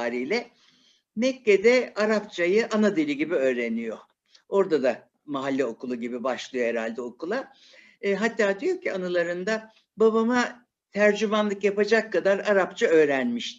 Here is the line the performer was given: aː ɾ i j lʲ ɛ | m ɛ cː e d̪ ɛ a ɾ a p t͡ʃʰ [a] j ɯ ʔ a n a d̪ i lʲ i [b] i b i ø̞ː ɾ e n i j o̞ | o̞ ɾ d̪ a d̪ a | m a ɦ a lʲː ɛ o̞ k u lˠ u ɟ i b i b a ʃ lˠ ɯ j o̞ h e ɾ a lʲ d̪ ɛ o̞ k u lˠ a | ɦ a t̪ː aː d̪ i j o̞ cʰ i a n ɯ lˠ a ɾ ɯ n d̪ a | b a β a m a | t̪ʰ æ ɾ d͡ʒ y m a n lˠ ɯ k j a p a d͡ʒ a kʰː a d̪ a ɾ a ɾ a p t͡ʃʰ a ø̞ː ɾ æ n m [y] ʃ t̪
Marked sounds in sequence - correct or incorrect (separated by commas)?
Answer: correct, incorrect, incorrect